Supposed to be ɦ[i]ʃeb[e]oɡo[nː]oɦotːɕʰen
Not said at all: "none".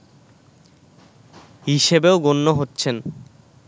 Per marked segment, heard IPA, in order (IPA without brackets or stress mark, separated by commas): i, e, nː